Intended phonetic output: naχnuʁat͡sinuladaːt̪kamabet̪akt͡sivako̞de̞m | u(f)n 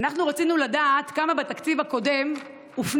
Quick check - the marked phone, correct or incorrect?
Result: correct